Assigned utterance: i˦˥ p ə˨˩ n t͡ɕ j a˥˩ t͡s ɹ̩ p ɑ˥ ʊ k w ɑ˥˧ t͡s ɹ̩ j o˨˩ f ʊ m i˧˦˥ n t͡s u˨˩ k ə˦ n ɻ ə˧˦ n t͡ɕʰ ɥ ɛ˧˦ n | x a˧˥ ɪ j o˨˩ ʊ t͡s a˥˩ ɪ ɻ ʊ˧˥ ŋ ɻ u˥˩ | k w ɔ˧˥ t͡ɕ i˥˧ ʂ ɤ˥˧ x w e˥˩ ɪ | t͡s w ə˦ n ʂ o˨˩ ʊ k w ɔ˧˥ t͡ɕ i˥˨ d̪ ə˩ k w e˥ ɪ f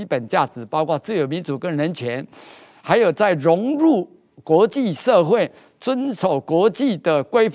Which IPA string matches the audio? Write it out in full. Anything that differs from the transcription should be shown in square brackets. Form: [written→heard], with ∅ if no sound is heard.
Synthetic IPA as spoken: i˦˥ p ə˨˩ n t͡ɕ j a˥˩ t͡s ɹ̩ p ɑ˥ ʊ k w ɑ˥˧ t͡s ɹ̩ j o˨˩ [f→∅] ʊ m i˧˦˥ n t͡s u˨˩ k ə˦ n ɻ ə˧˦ n t͡ɕʰ ɥ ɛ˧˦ n | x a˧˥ ɪ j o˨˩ ʊ t͡s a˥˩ ɪ ɻ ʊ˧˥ ŋ ɻ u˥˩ | k w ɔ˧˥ t͡ɕ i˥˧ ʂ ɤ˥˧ x w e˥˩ ɪ | t͡s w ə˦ n ʂ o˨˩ ʊ k w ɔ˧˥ t͡ɕ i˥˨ d̪ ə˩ k w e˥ ɪ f